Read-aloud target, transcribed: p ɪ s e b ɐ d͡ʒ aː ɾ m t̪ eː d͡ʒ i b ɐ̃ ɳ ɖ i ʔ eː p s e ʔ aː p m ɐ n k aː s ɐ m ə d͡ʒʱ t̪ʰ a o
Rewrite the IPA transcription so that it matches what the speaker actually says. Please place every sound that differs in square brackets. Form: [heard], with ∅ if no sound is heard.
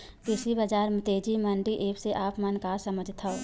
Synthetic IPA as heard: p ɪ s [i] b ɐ d͡ʒ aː ɾ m t̪ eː d͡ʒ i [m] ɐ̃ ɳ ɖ i ʔ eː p s e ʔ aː p m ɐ n k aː s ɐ m ə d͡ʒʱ t̪ʰ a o